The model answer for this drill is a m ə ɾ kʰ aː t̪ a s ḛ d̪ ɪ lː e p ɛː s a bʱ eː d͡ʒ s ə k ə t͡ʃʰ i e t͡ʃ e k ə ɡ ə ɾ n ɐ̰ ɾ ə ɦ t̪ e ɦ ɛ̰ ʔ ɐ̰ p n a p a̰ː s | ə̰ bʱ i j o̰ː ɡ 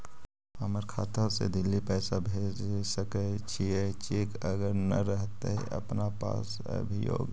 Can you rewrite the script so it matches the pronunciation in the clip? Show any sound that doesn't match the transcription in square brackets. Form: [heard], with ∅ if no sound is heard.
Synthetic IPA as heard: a m ə ɾ kʰ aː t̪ a s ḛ d̪ ɪ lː [i] p ɛː s a bʱ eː d͡ʒ s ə k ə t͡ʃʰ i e t͡ʃ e k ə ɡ ə ɾ n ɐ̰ ɾ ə ɦ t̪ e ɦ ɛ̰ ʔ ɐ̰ p n a p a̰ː s | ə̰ bʱ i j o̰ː ɡ